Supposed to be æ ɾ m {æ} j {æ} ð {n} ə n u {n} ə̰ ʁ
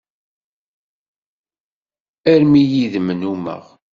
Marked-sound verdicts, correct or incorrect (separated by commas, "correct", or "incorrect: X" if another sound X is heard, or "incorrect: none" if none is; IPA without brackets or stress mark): incorrect: i, incorrect: i, incorrect: m, incorrect: m